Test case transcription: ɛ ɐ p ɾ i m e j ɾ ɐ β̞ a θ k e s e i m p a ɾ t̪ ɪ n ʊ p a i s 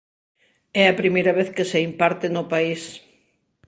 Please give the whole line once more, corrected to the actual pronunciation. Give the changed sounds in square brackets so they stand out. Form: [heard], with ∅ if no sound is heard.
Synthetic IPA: ɛ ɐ p ɾ i m e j ɾ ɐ β̞ [e] θ k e s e i m p a ɾ t̪ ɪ n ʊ p a i s